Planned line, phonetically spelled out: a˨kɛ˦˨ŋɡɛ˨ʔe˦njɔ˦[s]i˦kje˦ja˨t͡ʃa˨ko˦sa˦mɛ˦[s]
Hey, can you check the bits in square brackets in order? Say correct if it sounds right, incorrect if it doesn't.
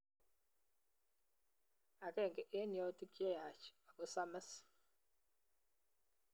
incorrect, correct

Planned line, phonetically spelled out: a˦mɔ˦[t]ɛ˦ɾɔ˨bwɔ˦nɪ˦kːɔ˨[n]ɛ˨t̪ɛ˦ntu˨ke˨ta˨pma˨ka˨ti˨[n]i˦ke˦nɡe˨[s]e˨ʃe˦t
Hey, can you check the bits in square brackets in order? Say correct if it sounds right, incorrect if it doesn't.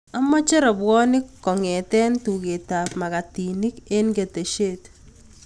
incorrect, incorrect, correct, incorrect

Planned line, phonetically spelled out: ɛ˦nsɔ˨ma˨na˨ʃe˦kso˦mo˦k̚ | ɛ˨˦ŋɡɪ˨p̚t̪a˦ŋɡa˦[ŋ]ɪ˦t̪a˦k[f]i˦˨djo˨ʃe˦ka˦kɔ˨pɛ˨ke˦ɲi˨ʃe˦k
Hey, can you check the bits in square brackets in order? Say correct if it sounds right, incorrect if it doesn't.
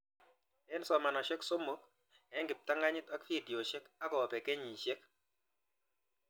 incorrect, correct

